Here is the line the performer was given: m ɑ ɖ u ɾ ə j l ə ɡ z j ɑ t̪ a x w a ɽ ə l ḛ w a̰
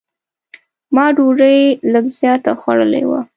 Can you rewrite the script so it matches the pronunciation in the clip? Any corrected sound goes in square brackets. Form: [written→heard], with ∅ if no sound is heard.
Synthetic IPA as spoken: m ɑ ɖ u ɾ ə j l ə ɡ z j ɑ t̪ a x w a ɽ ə l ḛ w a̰

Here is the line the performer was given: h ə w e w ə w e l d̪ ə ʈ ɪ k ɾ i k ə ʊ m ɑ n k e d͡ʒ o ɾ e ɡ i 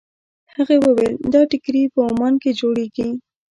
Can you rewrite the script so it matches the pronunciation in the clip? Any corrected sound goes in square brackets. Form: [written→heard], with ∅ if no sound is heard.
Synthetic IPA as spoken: h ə [w→ɣ] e w ə w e l d̪ [ə→ɑ] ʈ ɪ k ɾ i [k→p] ə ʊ m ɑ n k e d͡ʒ o [ɾ→ɽ] e ɡ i

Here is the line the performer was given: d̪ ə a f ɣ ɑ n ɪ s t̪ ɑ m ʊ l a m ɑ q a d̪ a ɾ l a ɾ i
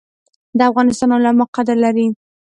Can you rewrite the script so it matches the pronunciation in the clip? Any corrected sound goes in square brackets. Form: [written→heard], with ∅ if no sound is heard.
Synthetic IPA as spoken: d̪ ə a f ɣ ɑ n ɪ s t̪ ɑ [m→n] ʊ l a m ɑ q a d̪ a ɾ l a ɾ i

